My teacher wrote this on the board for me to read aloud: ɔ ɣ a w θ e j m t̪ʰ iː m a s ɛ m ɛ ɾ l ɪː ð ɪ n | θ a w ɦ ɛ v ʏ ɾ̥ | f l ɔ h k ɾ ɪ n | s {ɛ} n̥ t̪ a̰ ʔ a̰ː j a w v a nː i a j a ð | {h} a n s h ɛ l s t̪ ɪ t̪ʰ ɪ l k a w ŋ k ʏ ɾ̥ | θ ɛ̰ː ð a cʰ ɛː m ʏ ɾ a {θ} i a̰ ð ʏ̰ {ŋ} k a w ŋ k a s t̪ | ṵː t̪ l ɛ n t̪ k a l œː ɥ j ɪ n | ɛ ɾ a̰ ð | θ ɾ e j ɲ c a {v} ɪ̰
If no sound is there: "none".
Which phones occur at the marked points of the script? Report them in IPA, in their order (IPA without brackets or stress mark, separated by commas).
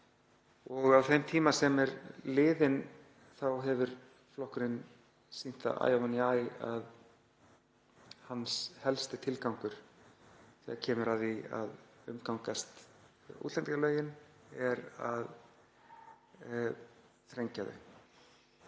i, h, ð, m, ð